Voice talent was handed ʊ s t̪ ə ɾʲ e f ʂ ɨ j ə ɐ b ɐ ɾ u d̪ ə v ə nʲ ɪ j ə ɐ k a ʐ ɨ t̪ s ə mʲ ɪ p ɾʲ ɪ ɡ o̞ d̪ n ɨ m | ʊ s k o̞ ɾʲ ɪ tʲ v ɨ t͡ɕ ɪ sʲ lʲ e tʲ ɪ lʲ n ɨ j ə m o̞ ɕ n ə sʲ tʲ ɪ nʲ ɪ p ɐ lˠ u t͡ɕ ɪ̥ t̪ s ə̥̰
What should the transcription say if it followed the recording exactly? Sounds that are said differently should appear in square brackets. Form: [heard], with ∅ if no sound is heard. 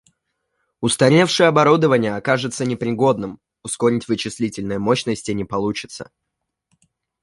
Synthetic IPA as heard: ʊ s t̪ [ɐ] ɾʲ e f ʂ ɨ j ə ɐ b ɐ ɾ u d̪ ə v ə nʲ ɪ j ə ɐ k a ʐ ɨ t̪ s ə [nʲ] ɪ p ɾʲ ɪ ɡ o̞ d̪ n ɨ m | ʊ s k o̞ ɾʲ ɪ tʲ v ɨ t͡ɕ ɪ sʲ lʲ [i] tʲ ɪ lʲ n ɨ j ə m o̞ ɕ n ə sʲ tʲ ɪ nʲ ɪ p ɐ lˠ u t͡ɕ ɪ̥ t̪ s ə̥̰